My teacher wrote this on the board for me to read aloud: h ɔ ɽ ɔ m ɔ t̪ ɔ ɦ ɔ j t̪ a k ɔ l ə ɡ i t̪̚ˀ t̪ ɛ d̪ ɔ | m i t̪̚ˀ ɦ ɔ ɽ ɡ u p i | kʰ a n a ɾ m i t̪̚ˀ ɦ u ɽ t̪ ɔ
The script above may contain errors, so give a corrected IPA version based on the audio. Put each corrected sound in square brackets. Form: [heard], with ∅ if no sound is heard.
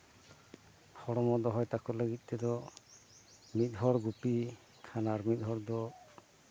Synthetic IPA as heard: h ɔ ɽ ɔ m ɔ [d̪] ɔ ɦ ɔ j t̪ a k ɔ l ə ɡ i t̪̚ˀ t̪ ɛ d̪ ɔ | m i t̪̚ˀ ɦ ɔ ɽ ɡ u p i | kʰ a n a ɾ m i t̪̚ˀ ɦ [ɔ] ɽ [d̪] ɔ

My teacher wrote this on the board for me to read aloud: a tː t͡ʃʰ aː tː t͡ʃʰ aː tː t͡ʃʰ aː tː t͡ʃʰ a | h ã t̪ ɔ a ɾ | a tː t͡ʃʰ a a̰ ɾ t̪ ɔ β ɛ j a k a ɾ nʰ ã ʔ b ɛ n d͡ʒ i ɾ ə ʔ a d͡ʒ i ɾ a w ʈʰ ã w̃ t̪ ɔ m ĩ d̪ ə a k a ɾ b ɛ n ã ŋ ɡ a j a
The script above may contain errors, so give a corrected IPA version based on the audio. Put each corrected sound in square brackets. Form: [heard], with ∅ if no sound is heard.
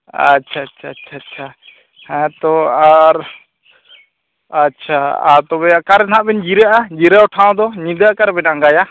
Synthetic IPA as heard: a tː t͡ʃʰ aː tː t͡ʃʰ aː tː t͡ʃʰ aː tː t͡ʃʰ a | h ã t̪ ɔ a ɾ | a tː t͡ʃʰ a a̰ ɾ t̪ ɔ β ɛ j a k a ɾ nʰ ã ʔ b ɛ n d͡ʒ i ɾ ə ʔ a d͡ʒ i ɾ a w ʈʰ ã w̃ [d̪] ɔ [ɲ] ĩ d̪ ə a k a ɾ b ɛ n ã ŋ ɡ a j a

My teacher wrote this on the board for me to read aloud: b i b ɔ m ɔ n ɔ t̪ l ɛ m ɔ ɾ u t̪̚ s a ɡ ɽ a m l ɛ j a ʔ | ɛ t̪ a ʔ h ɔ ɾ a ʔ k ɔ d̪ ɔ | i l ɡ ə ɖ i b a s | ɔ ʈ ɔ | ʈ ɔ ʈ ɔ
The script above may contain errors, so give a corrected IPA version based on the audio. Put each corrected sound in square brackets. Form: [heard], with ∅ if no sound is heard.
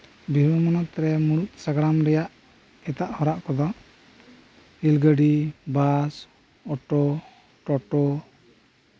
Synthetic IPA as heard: b i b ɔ m ɔ n ɔ t̪ [ɾ] ɛ m [u] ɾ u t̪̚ s a ɡ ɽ a m [ɾ] ɛ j a ʔ | ɛ t̪ a ʔ h ɔ ɾ a ʔ k ɔ d̪ ɔ | i l ɡ ə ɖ i b a s | ɔ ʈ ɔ | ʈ ɔ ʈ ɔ

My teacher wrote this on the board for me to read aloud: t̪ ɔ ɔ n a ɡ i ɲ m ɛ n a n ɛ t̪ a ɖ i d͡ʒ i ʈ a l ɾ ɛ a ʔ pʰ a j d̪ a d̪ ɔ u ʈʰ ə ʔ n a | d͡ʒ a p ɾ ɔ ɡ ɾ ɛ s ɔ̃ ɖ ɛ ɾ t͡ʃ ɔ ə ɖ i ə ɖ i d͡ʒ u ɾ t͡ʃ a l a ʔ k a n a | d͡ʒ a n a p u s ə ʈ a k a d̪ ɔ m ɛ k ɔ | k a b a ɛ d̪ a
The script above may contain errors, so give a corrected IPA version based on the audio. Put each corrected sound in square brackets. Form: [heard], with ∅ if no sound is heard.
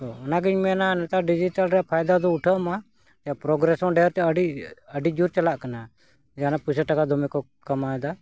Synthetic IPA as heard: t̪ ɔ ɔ n a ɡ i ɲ m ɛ n a n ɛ t̪ a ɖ i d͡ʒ i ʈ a l ɾ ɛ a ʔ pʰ a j d̪ a d̪ ɔ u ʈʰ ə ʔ [m] a | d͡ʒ a p ɾ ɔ ɡ ɾ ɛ s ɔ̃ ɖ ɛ ɾ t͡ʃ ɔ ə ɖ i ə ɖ i d͡ʒ u ɾ t͡ʃ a l a ʔ k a n a | d͡ʒ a n a p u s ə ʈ a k a d̪ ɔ m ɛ k ɔ | k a [m] a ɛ d̪ a

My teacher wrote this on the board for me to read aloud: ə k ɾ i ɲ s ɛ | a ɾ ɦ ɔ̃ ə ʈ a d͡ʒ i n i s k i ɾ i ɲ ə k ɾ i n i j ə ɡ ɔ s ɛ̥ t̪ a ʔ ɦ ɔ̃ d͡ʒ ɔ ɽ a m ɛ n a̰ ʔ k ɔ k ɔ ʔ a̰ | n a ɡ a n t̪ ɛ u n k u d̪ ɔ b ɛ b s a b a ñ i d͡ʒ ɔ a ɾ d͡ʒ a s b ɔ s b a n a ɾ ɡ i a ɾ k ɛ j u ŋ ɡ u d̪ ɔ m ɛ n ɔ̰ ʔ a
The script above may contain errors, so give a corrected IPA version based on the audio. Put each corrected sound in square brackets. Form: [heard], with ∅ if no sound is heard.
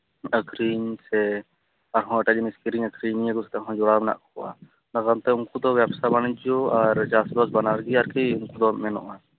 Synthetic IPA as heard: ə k ɾ i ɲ s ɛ | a ɾ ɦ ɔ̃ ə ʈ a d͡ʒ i n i s k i ɾ i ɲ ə k ɾ i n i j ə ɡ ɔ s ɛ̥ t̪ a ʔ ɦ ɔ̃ d͡ʒ ɔ ɽ a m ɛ n a̰ ʔ k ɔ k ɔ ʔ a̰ | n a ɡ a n t̪ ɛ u [ŋ] k u d̪ ɔ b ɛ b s a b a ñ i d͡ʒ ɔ a ɾ d͡ʒ a s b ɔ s b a n a ɾ ɡ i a ɾ k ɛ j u ŋ [k] u d̪ ɔ m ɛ n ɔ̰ ʔ a

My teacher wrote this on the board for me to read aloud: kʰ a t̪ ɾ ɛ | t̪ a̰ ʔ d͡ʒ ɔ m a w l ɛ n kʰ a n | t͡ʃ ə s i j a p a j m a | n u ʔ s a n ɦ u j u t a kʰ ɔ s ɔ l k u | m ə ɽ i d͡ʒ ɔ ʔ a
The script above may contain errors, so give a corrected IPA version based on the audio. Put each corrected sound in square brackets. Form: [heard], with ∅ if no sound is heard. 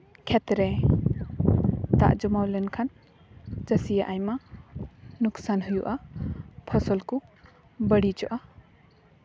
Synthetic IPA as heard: kʰ [ɛ] t̪ ɾ ɛ | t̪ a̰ ʔ d͡ʒ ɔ m a w l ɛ n kʰ a n | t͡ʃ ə s i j a [ʔ] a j m a | n u [k] s a n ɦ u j u [ʔ] a [pʰ] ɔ s ɔ l k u | [b] ə ɽ i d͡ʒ ɔ ʔ a

